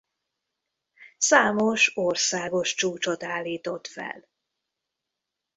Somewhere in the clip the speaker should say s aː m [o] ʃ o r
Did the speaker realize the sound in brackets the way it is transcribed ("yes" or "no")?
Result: yes